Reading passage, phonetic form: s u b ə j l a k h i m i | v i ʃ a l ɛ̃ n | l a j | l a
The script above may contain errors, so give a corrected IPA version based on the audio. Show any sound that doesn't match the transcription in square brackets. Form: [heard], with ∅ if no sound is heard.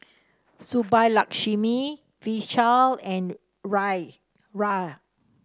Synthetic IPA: s u b [a] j l a k [ʃ] i m i | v i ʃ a l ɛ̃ n | [ɹ] a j | [ɹ] a